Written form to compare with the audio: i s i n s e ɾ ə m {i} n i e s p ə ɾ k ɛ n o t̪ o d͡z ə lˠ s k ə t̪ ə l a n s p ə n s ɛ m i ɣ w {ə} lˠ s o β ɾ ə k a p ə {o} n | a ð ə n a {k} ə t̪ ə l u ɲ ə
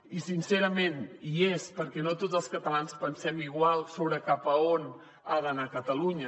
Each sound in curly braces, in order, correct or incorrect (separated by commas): incorrect, incorrect, correct, correct